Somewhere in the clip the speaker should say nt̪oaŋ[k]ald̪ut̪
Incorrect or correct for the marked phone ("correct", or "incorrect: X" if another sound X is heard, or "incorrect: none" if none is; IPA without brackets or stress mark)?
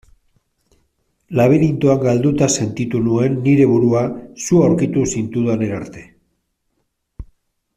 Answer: incorrect: ɡ